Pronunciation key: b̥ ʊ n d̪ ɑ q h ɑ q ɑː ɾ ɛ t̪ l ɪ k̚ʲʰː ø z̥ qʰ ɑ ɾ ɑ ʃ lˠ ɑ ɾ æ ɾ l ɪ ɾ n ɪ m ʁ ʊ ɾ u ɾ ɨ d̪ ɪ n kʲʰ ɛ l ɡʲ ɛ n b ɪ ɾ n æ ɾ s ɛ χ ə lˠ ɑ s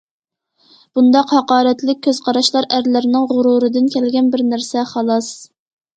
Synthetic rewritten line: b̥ u n d̪ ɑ q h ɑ q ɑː ɾ ɛ t̪ l ɪ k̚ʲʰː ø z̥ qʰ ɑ ɾ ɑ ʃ lˠ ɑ ɾ æ ɾ l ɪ ɾ n ɪ ŋ ʁ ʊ ɾ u ɾ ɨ d̪ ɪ n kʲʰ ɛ l ɡʲ ɛ n b ɪ ɾ n æ ɾ s ɛ χ ɑ lˠ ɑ s